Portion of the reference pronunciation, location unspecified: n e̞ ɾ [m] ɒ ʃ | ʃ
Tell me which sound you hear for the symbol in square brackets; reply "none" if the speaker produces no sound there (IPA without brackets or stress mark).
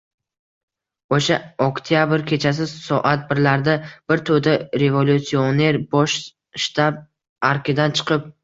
b